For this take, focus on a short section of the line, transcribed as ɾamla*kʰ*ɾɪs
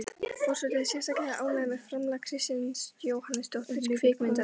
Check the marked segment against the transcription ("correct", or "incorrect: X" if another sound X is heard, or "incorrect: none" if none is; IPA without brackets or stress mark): correct